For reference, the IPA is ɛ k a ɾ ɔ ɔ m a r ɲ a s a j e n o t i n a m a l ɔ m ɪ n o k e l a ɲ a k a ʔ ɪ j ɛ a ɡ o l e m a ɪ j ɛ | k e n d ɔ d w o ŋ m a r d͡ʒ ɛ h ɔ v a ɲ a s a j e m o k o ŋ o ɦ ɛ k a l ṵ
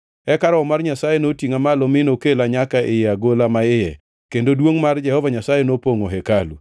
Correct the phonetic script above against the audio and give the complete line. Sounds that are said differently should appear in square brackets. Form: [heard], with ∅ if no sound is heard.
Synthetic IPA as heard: ɛ k a ɾ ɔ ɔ m a r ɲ a s a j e n o t i [ŋ] a m a l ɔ m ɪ n o k e l a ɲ a k a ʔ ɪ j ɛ a ɡ o l [a] m a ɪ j ɛ | k e n d [o] d w o ŋ m a r d͡ʒ ɛ h ɔ v a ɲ a s a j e [n] o [p] o ŋ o ɦ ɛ k a l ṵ

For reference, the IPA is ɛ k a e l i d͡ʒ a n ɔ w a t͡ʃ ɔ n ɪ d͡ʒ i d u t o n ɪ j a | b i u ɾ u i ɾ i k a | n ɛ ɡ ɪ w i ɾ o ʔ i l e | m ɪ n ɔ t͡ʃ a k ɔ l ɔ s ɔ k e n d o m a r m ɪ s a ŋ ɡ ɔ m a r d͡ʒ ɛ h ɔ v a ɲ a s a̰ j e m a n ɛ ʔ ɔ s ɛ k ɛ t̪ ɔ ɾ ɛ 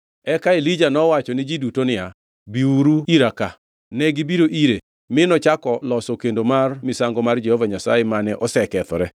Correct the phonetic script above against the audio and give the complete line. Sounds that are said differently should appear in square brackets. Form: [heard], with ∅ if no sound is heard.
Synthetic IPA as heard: ɛ k a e l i d͡ʒ a n ɔ w a t͡ʃ ɔ n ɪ d͡ʒ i d u t o n ɪ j a | b i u ɾ u i ɾ [a] k a | n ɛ ɡ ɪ [b] i ɾ o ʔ i [ɾ] e | m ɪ n ɔ t͡ʃ a k ɔ l ɔ s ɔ k e n d o m a r m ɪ s a ŋ ɡ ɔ m a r d͡ʒ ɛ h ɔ v a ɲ a s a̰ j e m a n ɛ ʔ ɔ s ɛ k ɛ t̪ ɔ ɾ ɛ

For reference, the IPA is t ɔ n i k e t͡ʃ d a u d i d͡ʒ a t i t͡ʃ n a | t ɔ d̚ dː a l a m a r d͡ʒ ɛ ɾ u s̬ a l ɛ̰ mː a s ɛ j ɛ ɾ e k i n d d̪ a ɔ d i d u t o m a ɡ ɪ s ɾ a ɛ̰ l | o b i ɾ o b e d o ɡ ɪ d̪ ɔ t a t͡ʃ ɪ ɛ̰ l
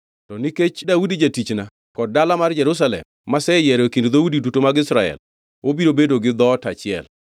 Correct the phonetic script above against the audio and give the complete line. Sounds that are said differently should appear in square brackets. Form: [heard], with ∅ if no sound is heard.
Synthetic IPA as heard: t ɔ n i k e t͡ʃ d a u d i d͡ʒ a t i t͡ʃ n a | [k] ɔ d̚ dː a l a m a r d͡ʒ ɛ ɾ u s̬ a l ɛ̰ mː a s ɛ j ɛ ɾ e k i n d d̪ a [u] d i d u t o m a ɡ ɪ s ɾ a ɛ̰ l | o b i ɾ o b e d o ɡ ɪ d̪ ɔ t a t͡ʃ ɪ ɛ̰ l

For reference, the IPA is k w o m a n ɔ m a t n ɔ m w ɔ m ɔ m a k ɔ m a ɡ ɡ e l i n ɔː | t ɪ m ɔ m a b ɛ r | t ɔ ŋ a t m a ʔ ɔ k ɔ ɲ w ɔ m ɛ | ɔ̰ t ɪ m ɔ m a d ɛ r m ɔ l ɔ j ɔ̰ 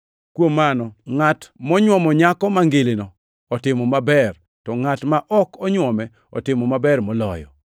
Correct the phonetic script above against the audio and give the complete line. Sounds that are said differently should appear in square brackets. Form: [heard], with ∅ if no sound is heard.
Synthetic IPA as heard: k w o m a n ɔ [ŋ] a t [m] ɔ [ɲ] w ɔ m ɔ [ɲ] a k ɔ m a [ŋ] ɡ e l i n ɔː | t ɪ m ɔ m a b ɛ r | t ɔ ŋ a t m a ʔ ɔ k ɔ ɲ w ɔ m ɛ | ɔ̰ t ɪ m ɔ m a [b] ɛ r m ɔ l ɔ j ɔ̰

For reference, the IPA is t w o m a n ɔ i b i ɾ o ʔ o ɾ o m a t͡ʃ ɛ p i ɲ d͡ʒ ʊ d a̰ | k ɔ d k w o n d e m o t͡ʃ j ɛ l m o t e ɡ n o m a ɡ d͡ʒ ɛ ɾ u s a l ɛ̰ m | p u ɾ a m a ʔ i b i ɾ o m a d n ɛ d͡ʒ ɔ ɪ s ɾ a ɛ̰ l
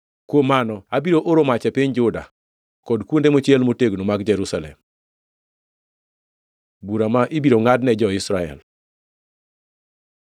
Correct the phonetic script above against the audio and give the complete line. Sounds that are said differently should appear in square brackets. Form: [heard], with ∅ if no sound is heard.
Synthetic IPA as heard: [k] w o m a n ɔ [a] b i ɾ o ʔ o ɾ o m a t͡ʃ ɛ p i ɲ d͡ʒ ʊ d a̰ | k ɔ d k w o n d e m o t͡ʃ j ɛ l m o t e ɡ n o m a ɡ d͡ʒ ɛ ɾ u s a l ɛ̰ m | [b] u ɾ a m a ʔ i b i ɾ o [ŋ] a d n ɛ d͡ʒ ɔ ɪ s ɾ a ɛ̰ l

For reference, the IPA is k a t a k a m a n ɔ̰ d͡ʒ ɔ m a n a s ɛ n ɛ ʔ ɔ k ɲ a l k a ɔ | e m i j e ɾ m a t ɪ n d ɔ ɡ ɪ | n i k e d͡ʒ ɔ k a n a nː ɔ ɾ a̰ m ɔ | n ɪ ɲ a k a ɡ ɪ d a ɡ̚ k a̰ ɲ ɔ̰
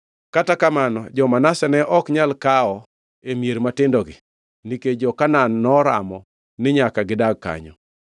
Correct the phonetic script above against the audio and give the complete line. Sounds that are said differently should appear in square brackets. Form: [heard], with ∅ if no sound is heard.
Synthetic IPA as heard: k a t a k a m a n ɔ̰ d͡ʒ ɔ m a n a s ɛ n ɛ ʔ ɔ k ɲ a l k a ɔ | e m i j e ɾ m a t ɪ n d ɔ ɡ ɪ | n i k e d͡ʒ ɔ k a n a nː ɔ ɾ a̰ m ɔ | n ɪ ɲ a k a ɡ ɪ d a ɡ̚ k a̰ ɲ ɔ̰

